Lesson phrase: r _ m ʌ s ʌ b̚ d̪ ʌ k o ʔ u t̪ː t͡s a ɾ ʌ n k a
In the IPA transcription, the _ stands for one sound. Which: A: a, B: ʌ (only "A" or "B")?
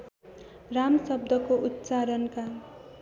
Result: A